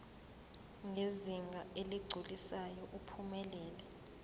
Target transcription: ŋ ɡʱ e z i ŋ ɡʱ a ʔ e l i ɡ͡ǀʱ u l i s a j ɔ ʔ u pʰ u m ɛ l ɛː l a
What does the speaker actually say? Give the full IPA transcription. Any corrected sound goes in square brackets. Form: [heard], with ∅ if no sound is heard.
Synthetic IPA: ŋ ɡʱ e z i ŋ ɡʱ a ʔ e l i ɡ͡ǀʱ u l i s a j ɔ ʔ u pʰ u m ɛ l ɛː l [ɛ]